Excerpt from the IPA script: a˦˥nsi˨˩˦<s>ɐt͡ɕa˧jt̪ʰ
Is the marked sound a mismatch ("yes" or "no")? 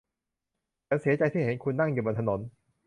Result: yes